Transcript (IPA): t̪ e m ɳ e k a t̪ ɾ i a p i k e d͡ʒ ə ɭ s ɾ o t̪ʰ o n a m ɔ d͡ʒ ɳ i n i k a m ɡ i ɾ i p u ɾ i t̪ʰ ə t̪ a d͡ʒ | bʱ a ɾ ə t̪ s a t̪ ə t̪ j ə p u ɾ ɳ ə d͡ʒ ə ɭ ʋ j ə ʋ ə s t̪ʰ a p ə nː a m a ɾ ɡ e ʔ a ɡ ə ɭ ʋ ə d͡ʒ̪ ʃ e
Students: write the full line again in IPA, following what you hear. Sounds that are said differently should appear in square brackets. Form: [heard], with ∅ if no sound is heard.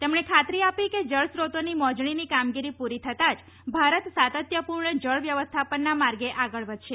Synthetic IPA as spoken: t̪ e m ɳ e [kʰ] a t̪ ɾ i a p i k e d͡ʒ ə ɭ s ɾ o [t̪] o n [i] m ɔ d͡ʒ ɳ i n i k a m ɡ i ɾ i p u ɾ i t̪ʰ ə t̪ a d͡ʒ | bʱ a ɾ ə t̪ s a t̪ ə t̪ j ə p u ɾ ɳ ə d͡ʒ ə ɭ ʋ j ə ʋ ə s t̪ʰ a p ə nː a m a ɾ ɡ e ʔ a ɡ ə ɭ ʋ ə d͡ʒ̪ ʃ e